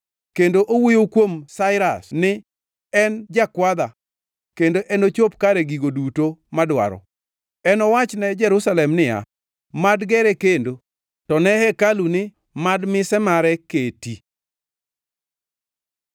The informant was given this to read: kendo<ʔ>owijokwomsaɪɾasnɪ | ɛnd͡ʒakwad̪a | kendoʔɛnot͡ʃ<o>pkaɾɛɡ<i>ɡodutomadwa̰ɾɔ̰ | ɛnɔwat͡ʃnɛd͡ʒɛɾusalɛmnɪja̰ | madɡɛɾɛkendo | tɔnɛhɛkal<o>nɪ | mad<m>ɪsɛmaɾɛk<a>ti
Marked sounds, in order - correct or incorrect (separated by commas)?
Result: correct, correct, correct, incorrect, correct, incorrect